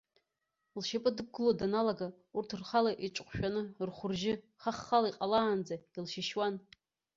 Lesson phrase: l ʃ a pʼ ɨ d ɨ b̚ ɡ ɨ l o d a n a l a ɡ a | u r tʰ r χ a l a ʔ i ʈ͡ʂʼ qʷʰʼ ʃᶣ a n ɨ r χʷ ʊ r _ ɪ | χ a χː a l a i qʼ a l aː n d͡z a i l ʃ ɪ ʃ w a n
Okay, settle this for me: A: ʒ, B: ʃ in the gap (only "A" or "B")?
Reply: A